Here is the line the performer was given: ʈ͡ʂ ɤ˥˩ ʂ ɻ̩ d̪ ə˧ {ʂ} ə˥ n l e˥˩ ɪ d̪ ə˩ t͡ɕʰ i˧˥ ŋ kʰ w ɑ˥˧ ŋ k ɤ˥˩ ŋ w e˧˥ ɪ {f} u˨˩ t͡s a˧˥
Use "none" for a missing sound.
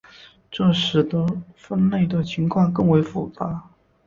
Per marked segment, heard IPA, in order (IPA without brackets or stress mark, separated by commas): f, f